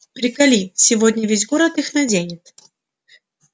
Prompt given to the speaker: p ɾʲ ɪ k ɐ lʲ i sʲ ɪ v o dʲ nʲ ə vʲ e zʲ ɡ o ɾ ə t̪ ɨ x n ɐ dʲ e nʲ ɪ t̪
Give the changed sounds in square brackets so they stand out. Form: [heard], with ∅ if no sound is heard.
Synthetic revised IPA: p ɾʲ ɪ k ɐ lʲ i sʲ ɪ v o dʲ nʲ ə vʲ e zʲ ɡ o ɾ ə t̪ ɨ x n ɐ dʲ e nʲ ɪ t̪